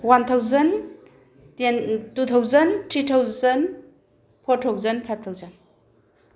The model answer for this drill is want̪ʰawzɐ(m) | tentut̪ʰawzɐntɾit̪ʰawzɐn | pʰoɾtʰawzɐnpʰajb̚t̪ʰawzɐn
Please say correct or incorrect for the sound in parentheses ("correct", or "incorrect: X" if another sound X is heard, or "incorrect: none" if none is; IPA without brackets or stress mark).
incorrect: n